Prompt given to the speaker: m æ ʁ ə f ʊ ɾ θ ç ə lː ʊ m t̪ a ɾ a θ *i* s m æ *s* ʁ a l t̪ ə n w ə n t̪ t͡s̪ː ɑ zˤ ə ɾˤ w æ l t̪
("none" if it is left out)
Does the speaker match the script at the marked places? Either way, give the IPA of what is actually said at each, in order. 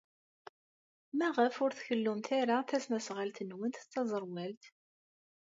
æ, s

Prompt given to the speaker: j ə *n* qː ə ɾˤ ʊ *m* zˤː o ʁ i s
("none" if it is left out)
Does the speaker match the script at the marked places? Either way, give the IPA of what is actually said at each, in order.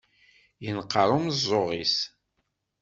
n, m

